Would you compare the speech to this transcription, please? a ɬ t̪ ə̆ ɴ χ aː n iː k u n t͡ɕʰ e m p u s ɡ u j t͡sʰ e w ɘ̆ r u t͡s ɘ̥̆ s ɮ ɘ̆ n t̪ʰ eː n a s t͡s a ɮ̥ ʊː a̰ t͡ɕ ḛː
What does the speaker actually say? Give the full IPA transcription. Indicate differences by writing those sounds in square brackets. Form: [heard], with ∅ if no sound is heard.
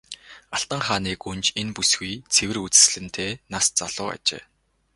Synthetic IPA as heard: a ɬ t̪ ə̆ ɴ χ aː n iː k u n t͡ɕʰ e [n] p u s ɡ u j t͡sʰ e w ɘ̆ r u t͡s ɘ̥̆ s ɮ ɘ̆ n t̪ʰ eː n a s t͡s a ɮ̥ ʊː a̰ t͡ɕ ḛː